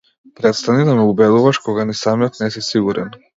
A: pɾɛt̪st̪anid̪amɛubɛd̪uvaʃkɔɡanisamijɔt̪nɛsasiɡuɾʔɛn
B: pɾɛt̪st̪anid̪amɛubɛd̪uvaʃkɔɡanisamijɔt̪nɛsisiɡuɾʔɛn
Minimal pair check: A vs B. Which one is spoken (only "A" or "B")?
B